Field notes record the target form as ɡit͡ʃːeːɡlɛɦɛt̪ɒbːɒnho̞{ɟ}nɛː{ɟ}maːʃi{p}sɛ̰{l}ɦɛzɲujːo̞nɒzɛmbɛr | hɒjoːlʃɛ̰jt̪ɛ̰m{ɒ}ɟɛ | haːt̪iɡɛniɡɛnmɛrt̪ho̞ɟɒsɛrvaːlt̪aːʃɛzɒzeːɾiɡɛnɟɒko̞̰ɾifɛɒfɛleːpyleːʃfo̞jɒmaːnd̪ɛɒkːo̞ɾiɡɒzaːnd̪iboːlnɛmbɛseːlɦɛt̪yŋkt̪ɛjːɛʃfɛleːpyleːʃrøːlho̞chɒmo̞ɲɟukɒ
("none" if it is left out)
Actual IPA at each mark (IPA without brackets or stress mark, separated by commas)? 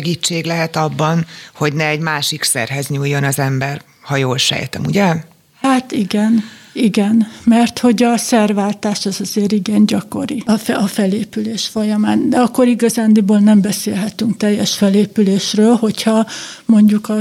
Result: ɟ, ɟ, k, r, u